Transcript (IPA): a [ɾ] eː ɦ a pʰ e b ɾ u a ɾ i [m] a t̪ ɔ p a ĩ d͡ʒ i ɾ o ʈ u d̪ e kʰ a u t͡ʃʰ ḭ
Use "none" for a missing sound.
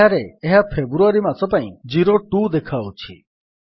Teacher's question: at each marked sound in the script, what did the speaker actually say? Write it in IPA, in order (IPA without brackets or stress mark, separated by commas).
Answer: ɾ, m